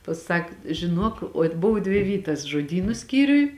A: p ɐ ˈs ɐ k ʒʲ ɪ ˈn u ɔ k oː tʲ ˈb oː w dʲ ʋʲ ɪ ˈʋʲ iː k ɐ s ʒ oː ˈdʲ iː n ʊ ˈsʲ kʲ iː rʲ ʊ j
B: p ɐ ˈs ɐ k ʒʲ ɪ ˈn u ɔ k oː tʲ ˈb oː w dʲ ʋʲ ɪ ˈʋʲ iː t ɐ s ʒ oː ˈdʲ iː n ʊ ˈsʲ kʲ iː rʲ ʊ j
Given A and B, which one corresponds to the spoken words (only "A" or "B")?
B